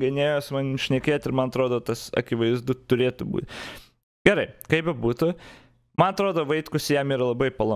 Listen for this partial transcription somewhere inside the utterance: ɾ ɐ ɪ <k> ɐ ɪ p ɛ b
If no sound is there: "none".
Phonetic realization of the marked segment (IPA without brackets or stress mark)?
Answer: k